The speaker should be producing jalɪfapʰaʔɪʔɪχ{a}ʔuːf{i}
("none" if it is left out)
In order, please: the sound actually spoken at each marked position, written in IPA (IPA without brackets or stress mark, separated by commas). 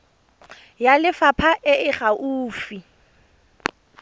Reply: a, i